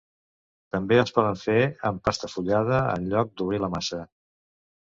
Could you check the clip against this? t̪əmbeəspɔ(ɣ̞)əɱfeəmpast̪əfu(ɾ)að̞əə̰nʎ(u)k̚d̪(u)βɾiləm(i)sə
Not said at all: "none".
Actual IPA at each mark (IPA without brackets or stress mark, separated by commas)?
ð̞, ʎ, ɔ, u, a